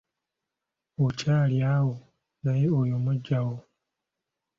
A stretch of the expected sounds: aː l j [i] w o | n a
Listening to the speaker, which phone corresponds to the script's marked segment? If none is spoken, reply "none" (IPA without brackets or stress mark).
a